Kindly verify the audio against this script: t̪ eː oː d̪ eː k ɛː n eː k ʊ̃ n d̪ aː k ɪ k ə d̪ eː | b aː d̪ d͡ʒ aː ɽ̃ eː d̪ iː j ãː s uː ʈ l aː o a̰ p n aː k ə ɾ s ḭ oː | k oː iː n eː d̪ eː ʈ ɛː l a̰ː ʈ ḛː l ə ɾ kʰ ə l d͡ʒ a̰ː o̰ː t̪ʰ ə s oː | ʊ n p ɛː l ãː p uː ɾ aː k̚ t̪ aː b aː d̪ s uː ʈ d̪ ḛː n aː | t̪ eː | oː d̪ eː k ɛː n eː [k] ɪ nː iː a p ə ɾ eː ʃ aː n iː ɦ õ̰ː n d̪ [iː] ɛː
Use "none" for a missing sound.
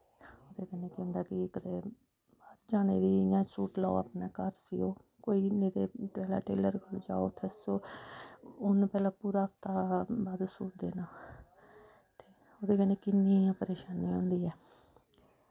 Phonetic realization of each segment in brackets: k, iː

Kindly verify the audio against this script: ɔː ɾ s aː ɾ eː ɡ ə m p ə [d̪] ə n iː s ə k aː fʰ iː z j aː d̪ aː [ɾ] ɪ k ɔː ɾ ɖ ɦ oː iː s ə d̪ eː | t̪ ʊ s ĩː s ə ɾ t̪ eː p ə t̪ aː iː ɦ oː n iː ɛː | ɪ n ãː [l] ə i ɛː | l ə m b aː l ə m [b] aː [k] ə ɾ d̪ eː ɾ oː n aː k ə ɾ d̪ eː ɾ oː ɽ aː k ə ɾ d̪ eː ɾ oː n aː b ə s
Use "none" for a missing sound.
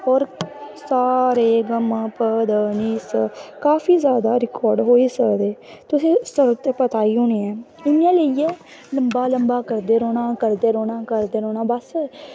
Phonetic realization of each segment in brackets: d̪, ɾ, l, b, k

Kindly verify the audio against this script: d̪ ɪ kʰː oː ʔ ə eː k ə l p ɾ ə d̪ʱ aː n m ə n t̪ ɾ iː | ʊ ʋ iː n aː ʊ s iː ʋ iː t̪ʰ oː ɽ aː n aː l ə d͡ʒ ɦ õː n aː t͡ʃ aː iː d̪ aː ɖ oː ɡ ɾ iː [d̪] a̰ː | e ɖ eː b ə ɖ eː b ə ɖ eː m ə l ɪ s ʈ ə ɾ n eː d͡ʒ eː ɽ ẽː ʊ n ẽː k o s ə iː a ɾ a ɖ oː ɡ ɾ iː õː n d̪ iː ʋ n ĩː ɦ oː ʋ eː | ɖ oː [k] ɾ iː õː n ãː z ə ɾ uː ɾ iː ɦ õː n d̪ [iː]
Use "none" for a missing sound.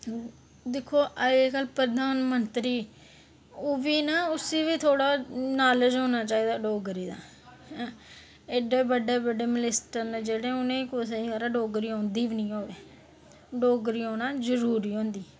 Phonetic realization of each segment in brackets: d̪, ɡ, iː

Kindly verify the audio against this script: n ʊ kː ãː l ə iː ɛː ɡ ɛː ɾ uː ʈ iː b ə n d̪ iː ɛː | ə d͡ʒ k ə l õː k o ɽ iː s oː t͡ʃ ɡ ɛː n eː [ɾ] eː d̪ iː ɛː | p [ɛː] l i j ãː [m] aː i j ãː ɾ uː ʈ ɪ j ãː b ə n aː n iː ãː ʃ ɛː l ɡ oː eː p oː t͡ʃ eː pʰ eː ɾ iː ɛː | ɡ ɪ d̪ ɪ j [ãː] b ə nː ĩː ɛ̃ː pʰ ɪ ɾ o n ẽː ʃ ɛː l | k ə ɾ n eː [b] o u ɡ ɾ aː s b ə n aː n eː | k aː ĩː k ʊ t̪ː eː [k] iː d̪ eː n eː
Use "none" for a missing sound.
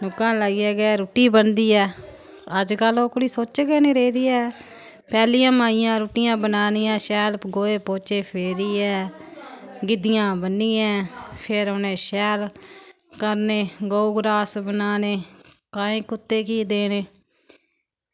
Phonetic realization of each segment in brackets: ɾ, ɛː, m, ãː, ɡ, k

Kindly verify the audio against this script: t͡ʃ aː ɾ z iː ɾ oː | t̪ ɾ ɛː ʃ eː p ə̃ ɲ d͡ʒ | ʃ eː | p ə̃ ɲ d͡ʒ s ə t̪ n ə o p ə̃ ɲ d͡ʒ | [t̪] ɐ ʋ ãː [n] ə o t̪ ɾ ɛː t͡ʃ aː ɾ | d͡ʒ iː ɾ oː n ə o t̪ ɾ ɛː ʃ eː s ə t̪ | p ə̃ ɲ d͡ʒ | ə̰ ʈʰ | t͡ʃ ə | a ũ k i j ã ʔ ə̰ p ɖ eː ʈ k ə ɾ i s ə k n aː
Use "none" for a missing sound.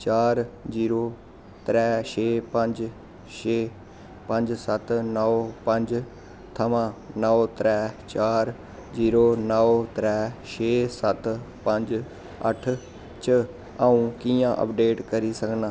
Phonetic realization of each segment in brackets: t̪ʰ, n

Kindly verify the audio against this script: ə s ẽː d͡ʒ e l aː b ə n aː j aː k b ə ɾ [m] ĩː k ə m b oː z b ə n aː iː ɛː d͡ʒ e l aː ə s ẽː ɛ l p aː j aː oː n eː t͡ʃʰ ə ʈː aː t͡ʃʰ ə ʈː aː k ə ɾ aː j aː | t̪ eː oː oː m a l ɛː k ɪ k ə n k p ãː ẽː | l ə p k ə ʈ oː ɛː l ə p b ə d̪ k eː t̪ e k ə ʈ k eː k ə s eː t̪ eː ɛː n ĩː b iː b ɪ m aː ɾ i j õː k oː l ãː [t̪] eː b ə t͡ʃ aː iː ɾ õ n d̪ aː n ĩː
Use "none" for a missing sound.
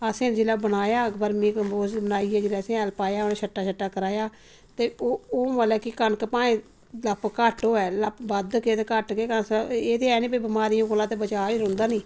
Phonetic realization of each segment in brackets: m, t̪

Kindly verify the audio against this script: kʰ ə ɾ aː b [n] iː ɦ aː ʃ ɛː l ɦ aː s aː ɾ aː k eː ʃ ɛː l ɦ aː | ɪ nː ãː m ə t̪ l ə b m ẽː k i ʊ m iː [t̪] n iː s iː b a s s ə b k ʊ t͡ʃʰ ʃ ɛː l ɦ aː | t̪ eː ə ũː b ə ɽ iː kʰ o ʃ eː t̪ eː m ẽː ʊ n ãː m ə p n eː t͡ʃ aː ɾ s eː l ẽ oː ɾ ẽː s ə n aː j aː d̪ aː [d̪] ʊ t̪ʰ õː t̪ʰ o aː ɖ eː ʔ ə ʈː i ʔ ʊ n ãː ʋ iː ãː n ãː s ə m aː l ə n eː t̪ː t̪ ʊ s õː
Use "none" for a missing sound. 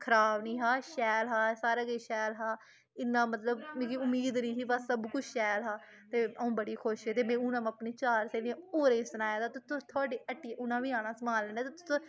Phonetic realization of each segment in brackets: n, d̪, t̪

